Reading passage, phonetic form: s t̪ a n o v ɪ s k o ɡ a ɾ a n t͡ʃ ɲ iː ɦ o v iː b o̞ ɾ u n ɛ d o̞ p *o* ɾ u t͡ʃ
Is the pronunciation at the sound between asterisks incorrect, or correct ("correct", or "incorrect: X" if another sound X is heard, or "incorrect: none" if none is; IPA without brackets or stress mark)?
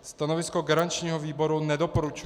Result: correct